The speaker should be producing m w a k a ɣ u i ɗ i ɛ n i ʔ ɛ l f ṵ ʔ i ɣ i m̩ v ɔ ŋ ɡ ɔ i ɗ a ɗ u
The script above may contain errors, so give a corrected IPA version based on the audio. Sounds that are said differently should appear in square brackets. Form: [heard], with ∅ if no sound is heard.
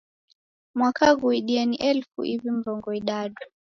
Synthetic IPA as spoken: m w a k a ɣ u i ɗ i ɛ n i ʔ ɛ l f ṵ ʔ i [v] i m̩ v ɔ ŋ ɡ ɔ i ɗ a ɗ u